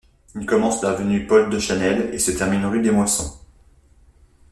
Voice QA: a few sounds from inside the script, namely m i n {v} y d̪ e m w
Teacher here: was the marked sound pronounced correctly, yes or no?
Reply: no